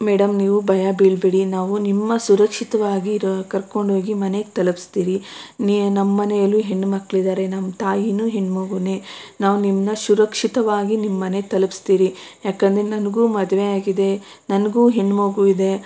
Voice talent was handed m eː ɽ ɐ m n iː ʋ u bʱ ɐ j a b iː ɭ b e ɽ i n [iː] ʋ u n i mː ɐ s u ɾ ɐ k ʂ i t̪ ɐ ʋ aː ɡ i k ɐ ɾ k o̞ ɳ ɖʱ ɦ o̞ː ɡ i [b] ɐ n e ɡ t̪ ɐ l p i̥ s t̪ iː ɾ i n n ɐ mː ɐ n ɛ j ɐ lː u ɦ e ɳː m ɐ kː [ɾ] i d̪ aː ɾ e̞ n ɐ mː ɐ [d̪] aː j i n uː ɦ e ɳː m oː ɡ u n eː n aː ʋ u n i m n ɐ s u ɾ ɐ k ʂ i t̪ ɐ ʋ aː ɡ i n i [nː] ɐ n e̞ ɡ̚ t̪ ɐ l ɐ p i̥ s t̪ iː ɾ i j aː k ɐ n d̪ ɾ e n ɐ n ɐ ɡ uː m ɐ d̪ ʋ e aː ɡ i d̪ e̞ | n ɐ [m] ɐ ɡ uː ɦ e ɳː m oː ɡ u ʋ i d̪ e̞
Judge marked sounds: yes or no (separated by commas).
no, no, no, no, no, no